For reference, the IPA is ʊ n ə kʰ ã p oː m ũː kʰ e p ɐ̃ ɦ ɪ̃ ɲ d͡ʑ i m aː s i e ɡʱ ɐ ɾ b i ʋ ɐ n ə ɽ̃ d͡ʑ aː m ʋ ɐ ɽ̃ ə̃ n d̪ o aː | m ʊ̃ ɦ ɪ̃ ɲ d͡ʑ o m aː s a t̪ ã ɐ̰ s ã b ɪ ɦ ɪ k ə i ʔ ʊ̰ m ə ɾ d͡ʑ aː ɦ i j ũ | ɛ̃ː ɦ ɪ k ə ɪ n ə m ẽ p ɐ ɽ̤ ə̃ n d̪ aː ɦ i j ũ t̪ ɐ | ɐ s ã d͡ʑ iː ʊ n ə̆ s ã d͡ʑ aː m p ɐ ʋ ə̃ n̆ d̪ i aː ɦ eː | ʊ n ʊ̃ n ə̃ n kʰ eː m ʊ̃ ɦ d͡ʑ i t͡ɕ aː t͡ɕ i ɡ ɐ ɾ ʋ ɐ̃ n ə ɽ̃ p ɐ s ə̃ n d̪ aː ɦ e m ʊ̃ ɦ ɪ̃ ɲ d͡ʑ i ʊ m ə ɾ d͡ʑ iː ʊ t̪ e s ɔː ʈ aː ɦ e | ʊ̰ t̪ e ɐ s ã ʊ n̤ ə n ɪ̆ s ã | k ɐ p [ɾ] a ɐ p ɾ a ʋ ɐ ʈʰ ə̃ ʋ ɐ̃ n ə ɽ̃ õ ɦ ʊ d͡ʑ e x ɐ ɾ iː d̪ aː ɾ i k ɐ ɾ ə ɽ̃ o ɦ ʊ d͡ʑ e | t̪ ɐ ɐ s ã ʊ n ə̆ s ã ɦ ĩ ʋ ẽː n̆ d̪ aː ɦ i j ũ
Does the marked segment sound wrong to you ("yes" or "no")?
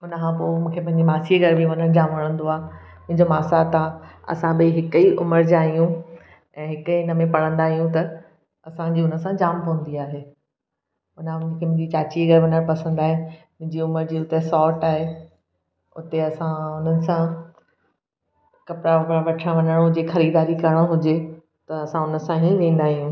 no